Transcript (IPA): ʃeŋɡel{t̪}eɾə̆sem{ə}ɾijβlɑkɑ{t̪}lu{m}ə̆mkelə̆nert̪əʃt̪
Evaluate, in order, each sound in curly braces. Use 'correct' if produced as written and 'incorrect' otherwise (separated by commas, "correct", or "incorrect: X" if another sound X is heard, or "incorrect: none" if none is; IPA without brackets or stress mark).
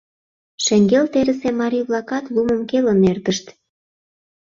correct, incorrect: ɑ, correct, correct